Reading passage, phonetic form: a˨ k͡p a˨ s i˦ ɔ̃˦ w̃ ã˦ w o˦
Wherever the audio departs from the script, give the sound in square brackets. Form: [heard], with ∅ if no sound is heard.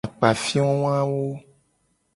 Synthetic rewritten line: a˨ k͡p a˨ [f] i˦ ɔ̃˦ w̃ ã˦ w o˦